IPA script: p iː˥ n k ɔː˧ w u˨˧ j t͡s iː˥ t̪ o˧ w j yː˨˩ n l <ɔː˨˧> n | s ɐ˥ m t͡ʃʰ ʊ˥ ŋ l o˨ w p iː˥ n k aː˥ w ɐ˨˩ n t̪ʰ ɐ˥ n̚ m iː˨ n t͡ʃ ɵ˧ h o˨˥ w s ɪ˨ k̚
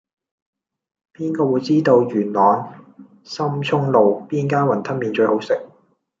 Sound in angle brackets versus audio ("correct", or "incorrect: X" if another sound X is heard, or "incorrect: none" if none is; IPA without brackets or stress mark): correct